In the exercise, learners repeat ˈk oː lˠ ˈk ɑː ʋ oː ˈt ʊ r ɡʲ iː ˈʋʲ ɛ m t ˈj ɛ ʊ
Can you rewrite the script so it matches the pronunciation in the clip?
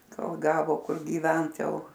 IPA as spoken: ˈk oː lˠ ˈɡ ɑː ʋ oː ˈk ʊ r ɡʲ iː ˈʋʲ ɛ n t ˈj ɛ ʊ